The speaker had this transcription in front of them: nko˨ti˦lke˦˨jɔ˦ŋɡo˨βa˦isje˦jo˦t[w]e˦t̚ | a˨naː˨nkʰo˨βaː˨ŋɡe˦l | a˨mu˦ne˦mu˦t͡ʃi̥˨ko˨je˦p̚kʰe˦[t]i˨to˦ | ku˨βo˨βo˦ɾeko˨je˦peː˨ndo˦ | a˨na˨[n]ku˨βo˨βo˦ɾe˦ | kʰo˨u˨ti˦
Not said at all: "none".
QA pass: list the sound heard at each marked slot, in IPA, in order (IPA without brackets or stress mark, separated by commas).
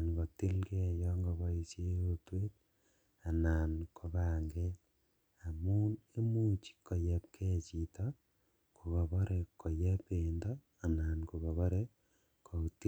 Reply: w, t͡ʃ, n